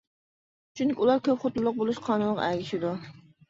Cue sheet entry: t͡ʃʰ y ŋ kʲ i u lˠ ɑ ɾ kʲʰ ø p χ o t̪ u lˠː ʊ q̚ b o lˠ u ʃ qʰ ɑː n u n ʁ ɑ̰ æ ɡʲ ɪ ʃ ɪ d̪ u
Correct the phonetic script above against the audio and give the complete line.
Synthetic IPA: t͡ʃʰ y ŋ kʲ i u lˠ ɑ ɾ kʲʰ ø p χ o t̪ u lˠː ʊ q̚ b o lˠ u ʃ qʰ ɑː n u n ʁ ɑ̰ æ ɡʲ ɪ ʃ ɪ d̪ u